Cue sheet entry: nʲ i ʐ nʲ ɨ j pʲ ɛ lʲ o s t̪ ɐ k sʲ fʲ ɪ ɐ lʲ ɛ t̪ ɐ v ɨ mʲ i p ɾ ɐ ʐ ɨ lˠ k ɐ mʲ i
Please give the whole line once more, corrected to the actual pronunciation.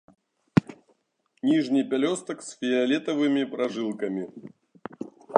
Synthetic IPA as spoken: nʲ i ʐ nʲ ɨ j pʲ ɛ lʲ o s t̪ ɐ k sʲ fʲ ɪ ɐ lʲ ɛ t̪ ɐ v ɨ mʲ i p ɾ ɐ ʐ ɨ lˠ k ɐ mʲ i